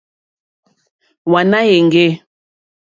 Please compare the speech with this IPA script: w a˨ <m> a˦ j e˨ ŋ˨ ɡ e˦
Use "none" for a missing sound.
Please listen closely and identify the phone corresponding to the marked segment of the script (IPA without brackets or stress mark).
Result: n